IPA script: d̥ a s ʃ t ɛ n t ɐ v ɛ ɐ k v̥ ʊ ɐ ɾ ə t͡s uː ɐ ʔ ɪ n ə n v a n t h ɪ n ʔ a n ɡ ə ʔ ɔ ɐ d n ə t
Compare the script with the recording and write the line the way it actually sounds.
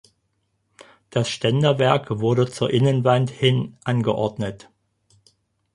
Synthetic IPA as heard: d̥ a s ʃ t ɛ n d ɐ v ɛ ɐ k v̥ ʊ ɐ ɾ ə t͡s uː ɐ ʔ ɪ n ə n v a n t h ɪ n ʔ a n ɡ ə ʔ ɔ ɐ d n ə t

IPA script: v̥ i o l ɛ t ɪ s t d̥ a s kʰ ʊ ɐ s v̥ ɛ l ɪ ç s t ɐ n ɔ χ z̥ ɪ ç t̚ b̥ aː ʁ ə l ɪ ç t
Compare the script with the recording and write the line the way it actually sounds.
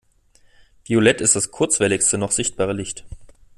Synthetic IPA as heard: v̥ i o l ɛ t ɪ s t d̥ a s kʰ ʊ ɐ t͡s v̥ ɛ l ɪ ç s t ə n ɔ χ z̥ ɪ ç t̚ b̥ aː ʁ ə l ɪ ç t

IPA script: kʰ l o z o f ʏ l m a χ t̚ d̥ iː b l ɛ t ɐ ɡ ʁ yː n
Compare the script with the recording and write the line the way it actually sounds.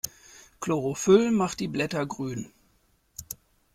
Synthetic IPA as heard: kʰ l o ʁ o f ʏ l m a χ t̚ d̥ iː b l ɛ t ɐ ɡ ʁ yː n

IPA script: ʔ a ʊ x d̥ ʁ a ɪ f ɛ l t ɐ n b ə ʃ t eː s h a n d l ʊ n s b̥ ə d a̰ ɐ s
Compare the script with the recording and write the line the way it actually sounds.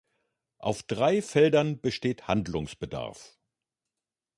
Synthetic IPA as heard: ʔ a ʊ f d̥ ʁ a ɪ f ɛ l d ɐ n b ə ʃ t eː t h a n d l ʊ ŋ s b̥ ə d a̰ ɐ f

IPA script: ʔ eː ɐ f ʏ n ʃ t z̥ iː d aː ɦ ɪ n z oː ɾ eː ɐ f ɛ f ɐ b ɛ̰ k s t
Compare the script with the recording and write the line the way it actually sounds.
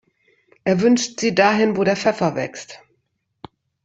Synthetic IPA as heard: ʔ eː ɐ v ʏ n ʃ t z̥ iː d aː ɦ ɪ n v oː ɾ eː ɐ f ɛ f ɐ v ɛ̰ k s t

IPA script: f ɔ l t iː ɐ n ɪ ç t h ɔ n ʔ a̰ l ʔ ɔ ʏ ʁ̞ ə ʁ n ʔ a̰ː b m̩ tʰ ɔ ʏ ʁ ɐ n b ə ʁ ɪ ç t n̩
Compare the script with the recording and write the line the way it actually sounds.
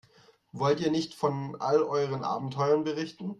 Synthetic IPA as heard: v ɔ l t iː ɐ n ɪ ç t f ɔ n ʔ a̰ l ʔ ɔ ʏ ʁ̞ ə n ʔ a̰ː b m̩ tʰ ɔ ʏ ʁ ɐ n b ə ʁ ɪ ç t n̩

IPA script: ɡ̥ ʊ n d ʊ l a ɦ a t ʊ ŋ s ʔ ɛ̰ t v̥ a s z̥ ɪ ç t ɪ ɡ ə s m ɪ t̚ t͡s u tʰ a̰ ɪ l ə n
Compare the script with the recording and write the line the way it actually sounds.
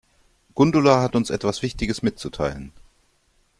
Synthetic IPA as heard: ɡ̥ ʊ n d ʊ l a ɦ a t ʊ n s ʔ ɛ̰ t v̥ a s v̥ ɪ ç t ɪ ɡ ə s m ɪ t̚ t͡s u tʰ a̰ ɪ l ə n

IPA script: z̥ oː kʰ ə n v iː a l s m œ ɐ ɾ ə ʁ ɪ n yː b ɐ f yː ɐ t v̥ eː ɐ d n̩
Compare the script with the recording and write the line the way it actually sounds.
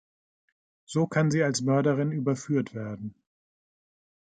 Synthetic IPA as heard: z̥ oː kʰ a n z iː a l s m œ ɐ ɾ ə ʁ ɪ n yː b ɐ f yː ɐ t v̥ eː ɐ d n̩

